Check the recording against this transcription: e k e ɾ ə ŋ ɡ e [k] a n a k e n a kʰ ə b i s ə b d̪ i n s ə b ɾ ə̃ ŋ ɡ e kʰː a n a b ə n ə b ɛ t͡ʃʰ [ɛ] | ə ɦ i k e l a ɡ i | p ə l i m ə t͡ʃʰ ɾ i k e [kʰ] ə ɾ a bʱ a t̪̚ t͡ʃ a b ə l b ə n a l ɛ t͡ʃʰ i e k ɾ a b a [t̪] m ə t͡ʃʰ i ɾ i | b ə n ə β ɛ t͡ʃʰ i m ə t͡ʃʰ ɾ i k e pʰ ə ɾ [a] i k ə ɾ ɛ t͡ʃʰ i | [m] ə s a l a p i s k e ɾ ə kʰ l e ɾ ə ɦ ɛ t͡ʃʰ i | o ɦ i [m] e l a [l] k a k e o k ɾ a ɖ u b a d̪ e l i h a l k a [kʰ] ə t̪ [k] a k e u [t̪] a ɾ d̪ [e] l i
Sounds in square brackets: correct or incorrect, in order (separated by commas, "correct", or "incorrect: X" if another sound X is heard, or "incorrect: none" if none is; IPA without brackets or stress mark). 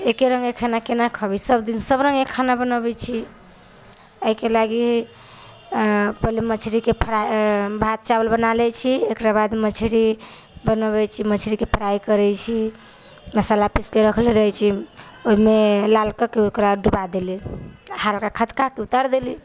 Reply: incorrect: kʰ, incorrect: i, incorrect: pʰ, incorrect: d̪, correct, correct, correct, correct, correct, correct, correct, correct